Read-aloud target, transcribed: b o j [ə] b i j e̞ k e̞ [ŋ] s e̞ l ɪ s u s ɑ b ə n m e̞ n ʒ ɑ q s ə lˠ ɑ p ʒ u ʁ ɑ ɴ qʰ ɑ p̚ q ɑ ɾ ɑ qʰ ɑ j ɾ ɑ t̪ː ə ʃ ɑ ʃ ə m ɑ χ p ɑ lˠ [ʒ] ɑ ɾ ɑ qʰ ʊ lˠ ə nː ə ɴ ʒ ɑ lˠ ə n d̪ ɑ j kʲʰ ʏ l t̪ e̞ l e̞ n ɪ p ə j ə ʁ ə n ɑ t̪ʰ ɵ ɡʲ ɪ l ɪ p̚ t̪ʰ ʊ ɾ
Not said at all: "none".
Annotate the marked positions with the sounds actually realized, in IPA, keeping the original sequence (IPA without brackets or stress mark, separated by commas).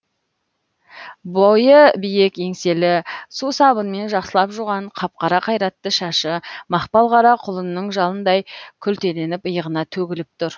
ə, ŋ, ʁ